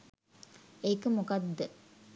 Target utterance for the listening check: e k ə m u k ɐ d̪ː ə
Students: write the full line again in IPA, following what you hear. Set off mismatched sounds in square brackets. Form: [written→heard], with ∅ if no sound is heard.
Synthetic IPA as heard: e k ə m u k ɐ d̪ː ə